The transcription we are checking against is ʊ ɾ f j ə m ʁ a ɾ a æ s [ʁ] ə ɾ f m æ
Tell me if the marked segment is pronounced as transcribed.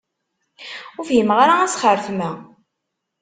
no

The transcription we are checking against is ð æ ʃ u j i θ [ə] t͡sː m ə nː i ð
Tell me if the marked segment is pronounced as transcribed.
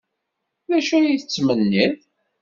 yes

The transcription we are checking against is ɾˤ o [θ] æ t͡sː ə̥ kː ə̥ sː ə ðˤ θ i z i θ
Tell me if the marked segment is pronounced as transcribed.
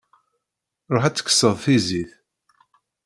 no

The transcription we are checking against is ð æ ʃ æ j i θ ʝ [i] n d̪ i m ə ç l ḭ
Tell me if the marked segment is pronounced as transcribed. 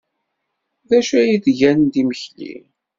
no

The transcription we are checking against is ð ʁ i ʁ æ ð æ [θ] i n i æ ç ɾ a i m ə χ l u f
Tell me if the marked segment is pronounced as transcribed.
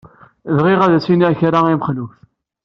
no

